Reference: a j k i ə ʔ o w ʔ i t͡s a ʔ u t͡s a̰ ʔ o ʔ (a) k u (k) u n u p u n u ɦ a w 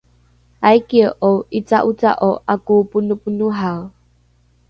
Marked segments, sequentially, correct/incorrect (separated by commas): correct, incorrect